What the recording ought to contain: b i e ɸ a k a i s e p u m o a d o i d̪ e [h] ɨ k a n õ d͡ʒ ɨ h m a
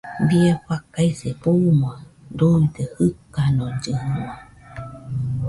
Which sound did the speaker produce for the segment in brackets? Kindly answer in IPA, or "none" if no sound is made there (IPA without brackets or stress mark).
h